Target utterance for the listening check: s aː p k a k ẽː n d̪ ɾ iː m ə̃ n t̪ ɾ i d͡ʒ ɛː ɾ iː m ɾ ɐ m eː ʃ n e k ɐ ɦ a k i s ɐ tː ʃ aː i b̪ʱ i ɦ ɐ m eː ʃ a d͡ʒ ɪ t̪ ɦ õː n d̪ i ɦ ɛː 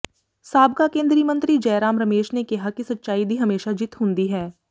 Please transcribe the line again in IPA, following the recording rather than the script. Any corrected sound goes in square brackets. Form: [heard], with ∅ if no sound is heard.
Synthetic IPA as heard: s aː [b] k a k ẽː n d̪ ɾ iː m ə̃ n t̪ ɾ i d͡ʒ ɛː ɾ [aː] m ɾ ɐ m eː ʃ n e k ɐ ɦ a k i s ɐ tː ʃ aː i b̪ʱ i ɦ ɐ m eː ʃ a d͡ʒ ɪ t̪ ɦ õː n d̪ i ɦ ɛː